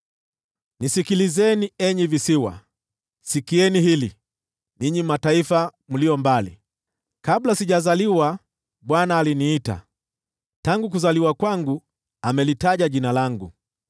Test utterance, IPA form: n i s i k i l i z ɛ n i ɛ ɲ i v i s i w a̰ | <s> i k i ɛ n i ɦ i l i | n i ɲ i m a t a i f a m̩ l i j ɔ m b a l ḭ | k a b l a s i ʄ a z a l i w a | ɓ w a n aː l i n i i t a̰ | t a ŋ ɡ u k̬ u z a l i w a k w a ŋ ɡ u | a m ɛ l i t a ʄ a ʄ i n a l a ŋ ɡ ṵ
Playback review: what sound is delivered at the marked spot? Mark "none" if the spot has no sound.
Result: s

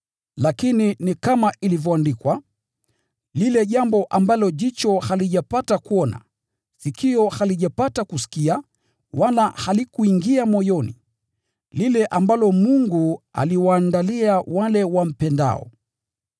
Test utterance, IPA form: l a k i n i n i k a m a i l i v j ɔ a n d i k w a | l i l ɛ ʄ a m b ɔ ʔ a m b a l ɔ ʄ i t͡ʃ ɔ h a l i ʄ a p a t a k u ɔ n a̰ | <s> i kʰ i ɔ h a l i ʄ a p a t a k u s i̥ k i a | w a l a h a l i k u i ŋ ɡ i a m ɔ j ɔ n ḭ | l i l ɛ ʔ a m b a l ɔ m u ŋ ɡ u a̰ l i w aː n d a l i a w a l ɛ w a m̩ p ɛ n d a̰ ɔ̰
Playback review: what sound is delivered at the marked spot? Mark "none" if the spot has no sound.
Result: s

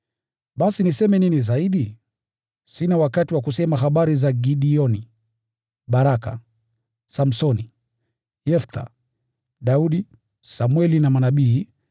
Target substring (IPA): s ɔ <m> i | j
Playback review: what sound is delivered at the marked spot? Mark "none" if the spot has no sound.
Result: n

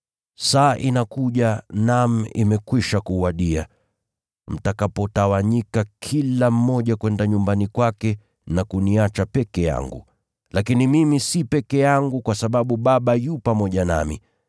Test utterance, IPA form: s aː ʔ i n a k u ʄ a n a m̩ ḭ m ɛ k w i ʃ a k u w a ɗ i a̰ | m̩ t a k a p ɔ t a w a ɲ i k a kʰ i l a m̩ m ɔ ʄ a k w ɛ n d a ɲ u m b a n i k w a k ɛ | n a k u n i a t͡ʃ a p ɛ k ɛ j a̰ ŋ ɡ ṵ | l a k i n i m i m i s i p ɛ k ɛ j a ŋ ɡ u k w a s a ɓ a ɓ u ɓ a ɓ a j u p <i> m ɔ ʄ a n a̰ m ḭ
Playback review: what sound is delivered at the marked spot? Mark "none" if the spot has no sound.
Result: a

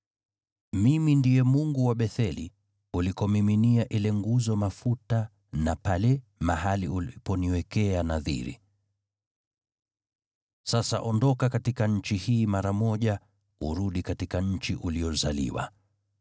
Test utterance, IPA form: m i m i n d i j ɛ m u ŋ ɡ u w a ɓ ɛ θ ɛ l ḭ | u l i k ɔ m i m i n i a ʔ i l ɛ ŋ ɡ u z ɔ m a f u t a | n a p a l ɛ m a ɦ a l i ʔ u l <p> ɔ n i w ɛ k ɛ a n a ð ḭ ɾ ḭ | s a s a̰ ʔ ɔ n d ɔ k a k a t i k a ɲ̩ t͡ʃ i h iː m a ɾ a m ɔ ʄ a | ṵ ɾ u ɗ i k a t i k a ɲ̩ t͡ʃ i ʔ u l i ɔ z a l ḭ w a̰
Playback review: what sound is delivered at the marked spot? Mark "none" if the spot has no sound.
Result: p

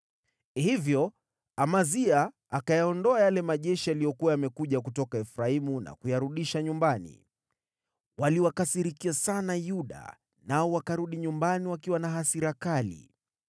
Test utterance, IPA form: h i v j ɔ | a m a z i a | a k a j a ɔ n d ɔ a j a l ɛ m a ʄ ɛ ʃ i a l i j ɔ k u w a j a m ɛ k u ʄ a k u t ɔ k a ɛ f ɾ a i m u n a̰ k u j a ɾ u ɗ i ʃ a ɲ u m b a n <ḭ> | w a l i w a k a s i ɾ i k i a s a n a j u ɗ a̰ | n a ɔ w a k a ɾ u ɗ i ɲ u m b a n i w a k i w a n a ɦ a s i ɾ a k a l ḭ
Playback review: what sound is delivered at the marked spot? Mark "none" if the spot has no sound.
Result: ḭ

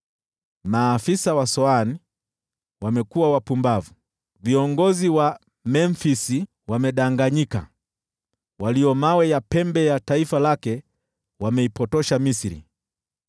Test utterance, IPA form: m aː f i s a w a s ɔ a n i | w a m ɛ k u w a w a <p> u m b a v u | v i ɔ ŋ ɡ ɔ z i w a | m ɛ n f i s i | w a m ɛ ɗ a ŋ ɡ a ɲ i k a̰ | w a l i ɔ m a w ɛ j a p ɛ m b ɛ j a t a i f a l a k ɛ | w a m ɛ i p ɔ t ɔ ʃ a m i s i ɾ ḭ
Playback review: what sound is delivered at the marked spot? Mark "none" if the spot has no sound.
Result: p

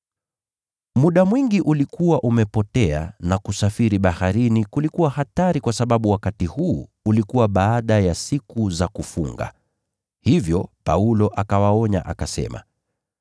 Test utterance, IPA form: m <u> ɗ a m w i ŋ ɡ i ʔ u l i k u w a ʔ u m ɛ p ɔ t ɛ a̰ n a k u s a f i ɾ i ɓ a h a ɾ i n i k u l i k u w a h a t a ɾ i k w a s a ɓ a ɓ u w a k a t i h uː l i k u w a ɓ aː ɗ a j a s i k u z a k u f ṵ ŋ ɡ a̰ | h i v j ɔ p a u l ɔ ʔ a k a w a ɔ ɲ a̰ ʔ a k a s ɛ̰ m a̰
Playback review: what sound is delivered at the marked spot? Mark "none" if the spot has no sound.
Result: u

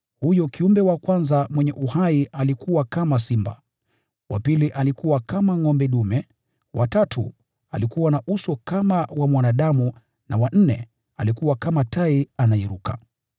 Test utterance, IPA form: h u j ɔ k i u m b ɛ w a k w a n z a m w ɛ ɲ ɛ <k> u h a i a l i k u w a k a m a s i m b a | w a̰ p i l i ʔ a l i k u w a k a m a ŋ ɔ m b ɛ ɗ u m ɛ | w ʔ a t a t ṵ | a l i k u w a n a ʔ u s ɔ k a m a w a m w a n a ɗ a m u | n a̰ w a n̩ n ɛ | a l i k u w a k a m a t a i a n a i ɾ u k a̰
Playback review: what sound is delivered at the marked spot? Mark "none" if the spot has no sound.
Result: ʔ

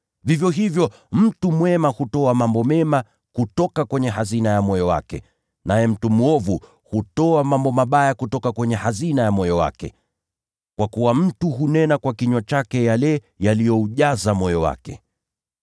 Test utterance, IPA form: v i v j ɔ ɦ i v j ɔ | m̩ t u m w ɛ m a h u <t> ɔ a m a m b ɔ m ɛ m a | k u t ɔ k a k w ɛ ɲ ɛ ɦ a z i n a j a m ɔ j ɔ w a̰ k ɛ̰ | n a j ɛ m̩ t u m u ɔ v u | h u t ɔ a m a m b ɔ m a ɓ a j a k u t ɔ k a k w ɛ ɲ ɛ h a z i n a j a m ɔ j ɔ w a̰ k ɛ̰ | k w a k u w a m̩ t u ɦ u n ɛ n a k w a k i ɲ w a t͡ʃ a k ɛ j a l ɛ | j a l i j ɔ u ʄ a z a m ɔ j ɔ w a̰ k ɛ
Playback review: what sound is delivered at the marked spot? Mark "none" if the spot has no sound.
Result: t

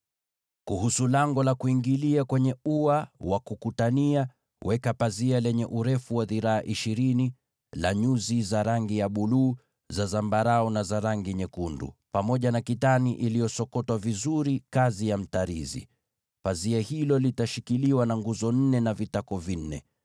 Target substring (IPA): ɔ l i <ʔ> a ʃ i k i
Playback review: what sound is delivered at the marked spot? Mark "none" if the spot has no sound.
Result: t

